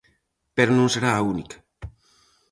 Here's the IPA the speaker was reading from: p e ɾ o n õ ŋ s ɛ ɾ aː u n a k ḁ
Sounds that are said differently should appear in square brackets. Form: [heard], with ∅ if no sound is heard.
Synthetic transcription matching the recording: p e ɾ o n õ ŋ s [e] ɾ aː u n [i] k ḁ